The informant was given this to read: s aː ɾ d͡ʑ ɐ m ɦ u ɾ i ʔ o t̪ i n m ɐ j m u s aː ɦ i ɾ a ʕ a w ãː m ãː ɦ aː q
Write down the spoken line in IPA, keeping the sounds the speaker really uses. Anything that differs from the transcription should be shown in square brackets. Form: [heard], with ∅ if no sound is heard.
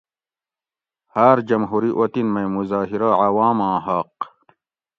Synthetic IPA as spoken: [h] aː ɾ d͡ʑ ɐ m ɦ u ɾ i ʔ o t̪ i n m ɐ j m u [z] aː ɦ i ɾ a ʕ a w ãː m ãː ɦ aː q